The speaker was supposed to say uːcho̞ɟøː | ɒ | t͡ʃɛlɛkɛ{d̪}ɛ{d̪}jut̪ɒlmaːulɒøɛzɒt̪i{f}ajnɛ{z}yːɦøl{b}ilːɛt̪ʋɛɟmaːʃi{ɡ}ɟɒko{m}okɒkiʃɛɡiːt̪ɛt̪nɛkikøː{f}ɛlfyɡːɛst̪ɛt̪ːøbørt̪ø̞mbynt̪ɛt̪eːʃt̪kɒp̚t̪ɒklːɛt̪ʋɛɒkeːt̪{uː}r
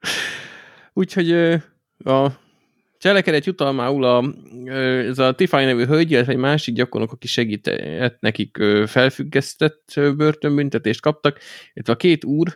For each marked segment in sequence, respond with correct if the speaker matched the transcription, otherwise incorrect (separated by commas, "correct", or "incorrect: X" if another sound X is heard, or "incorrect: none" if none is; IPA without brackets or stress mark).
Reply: correct, incorrect: t̪, correct, incorrect: v, incorrect: ɟ, correct, incorrect: n, correct, correct